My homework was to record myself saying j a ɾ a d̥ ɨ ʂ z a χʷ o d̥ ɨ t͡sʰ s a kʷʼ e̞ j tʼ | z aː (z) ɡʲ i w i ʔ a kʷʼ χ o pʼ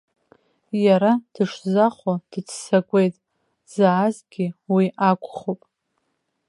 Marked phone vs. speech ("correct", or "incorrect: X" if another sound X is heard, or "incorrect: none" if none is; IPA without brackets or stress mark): correct